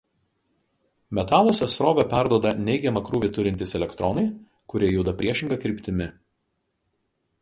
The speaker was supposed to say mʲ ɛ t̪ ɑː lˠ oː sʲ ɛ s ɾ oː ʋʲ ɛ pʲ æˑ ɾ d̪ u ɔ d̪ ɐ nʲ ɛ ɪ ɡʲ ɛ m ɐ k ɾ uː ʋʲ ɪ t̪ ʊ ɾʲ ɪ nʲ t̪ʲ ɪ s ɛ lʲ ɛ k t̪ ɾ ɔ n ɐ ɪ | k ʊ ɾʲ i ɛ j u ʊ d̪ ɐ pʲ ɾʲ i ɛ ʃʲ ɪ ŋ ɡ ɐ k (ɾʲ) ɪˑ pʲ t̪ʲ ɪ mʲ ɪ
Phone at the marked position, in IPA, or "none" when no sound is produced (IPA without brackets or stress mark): ɾʲ